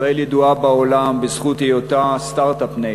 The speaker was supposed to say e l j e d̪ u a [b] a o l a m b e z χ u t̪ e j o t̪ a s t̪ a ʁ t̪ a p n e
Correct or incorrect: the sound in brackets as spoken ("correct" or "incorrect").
correct